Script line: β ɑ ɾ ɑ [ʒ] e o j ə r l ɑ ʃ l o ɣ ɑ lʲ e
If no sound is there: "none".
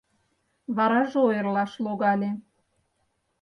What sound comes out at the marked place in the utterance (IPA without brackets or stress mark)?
ʒ